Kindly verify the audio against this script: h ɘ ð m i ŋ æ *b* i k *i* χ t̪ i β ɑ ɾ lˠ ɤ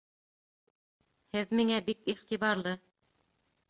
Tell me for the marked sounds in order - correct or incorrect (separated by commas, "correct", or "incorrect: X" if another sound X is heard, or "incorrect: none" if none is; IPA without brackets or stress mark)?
correct, correct